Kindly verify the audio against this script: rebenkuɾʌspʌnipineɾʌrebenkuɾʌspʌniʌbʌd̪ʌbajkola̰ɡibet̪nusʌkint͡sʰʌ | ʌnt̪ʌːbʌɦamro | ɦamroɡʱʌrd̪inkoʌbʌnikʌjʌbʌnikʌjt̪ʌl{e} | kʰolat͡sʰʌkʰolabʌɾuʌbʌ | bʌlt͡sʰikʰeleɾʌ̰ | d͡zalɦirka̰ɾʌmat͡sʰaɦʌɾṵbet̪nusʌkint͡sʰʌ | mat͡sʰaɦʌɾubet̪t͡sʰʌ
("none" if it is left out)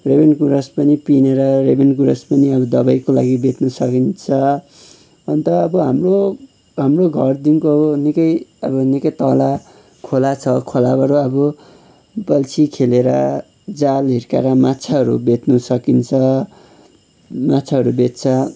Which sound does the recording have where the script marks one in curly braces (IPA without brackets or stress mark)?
a